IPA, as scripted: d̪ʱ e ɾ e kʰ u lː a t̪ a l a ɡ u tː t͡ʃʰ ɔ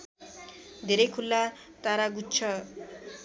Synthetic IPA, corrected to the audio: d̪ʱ e ɾ e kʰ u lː a t̪ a ɾ a ɡ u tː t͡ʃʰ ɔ